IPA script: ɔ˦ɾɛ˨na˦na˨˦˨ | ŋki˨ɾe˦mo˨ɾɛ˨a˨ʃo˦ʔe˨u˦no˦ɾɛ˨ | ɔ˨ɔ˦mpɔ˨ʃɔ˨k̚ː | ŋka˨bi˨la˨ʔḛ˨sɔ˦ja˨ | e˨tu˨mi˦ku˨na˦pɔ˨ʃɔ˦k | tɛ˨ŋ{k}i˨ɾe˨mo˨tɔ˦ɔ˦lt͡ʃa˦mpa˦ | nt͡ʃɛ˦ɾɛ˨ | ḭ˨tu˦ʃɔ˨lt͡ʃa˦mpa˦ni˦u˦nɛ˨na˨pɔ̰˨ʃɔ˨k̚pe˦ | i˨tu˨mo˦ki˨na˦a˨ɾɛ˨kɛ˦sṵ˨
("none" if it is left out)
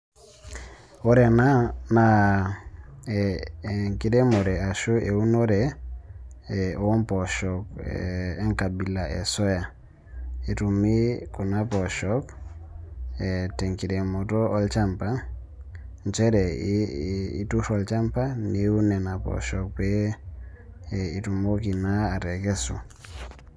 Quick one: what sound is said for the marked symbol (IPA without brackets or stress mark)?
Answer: k